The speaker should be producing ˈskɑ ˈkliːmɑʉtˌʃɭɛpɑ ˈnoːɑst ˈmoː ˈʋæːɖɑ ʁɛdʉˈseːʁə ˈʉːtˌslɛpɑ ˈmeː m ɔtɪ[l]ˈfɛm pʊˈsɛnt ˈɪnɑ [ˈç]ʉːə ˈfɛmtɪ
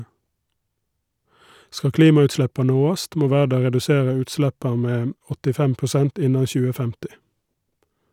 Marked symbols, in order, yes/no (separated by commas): no, yes